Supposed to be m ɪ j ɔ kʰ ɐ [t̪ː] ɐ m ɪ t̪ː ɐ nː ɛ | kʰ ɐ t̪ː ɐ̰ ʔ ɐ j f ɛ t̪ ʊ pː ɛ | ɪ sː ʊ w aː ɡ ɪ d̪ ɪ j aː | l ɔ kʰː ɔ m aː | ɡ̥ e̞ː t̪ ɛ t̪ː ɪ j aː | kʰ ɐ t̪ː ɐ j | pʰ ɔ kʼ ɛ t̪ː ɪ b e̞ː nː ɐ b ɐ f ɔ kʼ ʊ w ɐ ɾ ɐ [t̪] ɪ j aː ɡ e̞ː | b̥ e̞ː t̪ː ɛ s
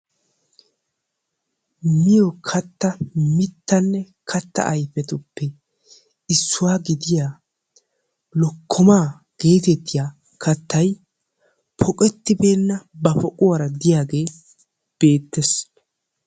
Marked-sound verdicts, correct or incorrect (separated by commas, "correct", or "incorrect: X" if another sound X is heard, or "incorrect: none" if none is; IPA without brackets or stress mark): correct, incorrect: d̪